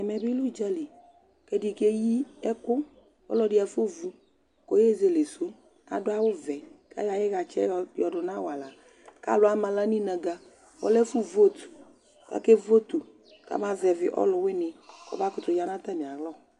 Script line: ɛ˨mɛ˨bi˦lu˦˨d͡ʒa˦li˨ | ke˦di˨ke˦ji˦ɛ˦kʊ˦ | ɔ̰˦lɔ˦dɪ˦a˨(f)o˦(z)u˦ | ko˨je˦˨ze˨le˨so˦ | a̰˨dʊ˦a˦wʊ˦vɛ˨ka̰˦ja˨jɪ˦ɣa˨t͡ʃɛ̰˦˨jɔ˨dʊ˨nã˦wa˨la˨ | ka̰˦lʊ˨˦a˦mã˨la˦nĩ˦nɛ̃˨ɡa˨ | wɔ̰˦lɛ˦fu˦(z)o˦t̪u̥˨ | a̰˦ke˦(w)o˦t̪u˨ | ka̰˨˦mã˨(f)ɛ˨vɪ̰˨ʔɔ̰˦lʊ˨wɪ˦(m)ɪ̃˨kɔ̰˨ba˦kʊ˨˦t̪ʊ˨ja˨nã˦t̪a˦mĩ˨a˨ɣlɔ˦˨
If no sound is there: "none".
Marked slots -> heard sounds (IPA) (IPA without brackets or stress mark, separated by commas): f, v, v, v, v, n